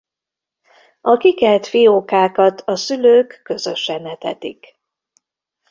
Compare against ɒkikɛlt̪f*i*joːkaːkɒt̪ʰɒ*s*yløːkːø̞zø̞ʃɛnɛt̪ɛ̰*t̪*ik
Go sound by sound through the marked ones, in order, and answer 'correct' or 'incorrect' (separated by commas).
correct, correct, correct